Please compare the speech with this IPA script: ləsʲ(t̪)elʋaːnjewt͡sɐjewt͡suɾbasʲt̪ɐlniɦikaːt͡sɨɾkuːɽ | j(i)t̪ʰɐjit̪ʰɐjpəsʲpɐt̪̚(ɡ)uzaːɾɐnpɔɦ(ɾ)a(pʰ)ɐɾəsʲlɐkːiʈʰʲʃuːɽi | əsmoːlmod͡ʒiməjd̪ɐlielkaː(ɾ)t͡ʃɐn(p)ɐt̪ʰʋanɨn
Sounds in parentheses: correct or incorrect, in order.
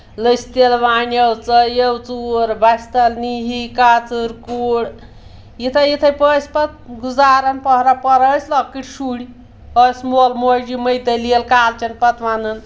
correct, correct, correct, correct, incorrect: p, incorrect: l, correct

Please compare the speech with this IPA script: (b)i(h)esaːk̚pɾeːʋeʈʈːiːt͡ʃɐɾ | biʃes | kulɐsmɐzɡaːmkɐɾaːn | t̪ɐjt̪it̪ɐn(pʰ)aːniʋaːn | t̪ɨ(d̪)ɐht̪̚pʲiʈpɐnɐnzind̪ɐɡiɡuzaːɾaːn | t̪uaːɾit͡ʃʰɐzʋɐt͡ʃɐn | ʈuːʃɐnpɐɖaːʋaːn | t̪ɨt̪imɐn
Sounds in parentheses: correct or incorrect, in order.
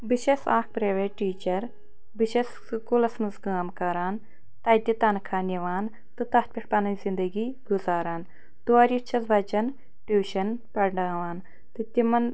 correct, incorrect: ʃ, incorrect: kʰ, incorrect: t̪

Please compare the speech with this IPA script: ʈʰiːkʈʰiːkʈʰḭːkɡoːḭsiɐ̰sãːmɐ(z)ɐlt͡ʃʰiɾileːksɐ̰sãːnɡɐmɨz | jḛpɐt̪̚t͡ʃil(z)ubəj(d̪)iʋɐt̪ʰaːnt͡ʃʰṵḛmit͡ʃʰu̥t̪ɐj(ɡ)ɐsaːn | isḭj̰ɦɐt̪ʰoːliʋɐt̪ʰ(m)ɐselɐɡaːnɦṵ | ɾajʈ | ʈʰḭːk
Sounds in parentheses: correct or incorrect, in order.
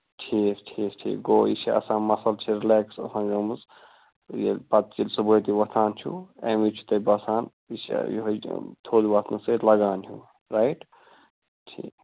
incorrect: s, incorrect: s, incorrect: t̪, incorrect: b, incorrect: n

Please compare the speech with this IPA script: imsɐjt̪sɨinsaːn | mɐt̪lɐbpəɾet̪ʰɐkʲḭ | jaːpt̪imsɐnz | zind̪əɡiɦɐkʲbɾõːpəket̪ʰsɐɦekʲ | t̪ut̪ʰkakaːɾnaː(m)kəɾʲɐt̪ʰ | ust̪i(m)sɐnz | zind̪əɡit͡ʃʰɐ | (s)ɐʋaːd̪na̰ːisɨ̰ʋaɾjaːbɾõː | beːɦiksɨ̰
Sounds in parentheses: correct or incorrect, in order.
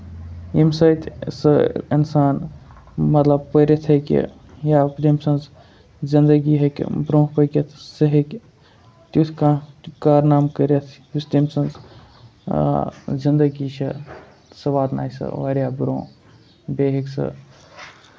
correct, correct, correct

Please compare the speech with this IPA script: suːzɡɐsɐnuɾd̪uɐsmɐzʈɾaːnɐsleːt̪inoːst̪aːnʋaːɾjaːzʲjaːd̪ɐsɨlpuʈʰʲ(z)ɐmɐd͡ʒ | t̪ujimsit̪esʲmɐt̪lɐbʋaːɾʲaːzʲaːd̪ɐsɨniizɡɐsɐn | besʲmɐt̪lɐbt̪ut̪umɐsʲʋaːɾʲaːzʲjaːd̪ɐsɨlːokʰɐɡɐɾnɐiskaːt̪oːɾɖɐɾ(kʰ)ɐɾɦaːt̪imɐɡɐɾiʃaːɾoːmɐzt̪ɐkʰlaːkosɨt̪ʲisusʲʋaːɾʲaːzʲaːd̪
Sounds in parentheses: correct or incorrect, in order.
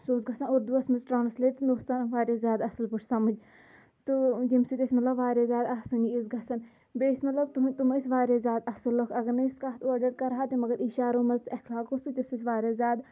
incorrect: s, incorrect: k

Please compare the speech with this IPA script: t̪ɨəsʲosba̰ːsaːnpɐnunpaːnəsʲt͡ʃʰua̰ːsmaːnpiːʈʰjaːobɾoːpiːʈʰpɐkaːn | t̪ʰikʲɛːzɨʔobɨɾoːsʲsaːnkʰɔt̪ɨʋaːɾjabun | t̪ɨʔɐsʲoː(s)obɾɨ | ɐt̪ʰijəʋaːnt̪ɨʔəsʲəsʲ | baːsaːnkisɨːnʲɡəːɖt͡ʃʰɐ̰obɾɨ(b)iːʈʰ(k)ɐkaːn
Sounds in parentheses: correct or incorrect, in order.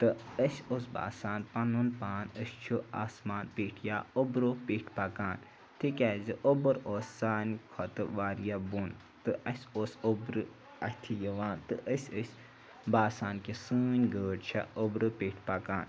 correct, incorrect: p, incorrect: p

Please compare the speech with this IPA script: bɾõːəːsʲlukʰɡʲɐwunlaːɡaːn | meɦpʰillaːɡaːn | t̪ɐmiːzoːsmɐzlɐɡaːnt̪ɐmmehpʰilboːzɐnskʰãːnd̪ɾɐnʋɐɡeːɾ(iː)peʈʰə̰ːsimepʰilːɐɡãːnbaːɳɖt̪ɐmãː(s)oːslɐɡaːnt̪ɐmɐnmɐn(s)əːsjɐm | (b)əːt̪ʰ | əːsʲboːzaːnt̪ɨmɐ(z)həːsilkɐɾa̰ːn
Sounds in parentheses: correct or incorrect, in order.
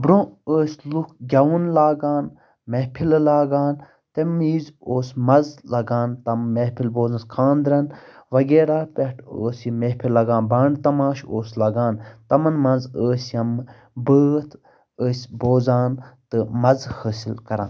incorrect: aː, incorrect: ʃ, incorrect: z, correct, correct

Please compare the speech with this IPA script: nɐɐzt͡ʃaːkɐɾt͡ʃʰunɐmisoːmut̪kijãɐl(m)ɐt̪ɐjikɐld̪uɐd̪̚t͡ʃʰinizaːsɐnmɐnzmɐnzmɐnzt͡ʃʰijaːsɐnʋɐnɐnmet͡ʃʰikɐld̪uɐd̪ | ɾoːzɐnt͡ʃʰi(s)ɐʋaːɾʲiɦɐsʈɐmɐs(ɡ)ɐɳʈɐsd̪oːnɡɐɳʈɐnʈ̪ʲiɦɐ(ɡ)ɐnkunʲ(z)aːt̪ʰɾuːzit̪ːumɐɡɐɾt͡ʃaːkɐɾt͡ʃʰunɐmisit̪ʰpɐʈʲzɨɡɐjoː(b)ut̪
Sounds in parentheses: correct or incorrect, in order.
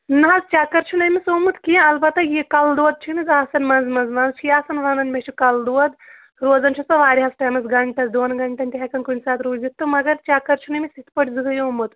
incorrect: b, correct, correct, incorrect: k, incorrect: s, incorrect: m

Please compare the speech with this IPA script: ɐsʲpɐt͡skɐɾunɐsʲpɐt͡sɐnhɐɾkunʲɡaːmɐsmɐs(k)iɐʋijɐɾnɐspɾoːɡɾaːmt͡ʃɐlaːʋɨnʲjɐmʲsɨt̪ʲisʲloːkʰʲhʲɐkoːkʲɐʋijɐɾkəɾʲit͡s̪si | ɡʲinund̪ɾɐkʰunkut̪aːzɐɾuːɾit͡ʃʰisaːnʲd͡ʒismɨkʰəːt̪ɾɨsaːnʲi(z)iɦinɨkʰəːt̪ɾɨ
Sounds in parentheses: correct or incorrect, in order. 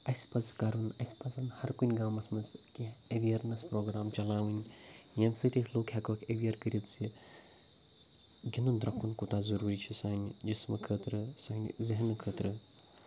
correct, correct

